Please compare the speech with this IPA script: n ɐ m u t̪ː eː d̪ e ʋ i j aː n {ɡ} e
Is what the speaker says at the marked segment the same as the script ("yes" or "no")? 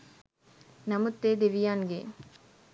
yes